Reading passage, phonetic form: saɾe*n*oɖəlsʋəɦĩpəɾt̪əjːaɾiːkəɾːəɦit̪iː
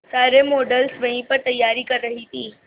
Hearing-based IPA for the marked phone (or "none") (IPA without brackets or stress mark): m